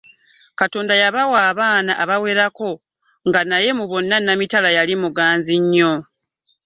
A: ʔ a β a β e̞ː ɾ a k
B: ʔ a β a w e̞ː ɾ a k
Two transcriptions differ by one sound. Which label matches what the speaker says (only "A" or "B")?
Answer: B